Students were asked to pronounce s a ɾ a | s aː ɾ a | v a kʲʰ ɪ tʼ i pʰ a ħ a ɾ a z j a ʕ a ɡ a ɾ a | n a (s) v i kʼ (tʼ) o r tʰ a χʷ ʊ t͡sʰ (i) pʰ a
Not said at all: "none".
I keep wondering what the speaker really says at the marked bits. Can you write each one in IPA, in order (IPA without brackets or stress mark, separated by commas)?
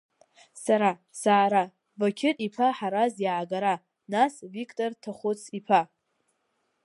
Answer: s, tʼ, i